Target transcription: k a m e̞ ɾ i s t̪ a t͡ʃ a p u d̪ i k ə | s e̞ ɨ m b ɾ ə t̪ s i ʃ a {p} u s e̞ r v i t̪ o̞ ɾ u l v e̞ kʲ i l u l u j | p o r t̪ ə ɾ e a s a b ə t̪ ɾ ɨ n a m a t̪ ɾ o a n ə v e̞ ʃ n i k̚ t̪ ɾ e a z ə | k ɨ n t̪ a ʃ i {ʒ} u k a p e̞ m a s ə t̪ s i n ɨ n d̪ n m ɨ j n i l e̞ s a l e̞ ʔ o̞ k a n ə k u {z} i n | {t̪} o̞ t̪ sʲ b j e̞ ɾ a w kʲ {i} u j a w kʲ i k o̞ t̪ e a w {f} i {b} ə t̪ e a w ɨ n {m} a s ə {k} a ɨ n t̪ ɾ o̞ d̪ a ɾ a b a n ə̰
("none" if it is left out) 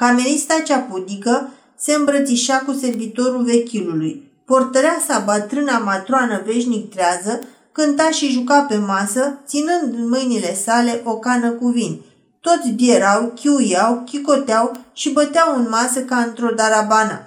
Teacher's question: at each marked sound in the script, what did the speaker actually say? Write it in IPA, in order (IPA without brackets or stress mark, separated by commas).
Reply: k, ʒ, v, t̪, i, ʃ, b, m, k